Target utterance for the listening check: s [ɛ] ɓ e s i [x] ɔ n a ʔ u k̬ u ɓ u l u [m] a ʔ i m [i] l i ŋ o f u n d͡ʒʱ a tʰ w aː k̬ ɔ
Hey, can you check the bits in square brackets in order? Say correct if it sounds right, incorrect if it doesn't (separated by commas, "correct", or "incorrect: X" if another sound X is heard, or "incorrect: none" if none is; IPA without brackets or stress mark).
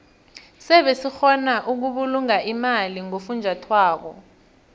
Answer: correct, correct, incorrect: ŋ, incorrect: a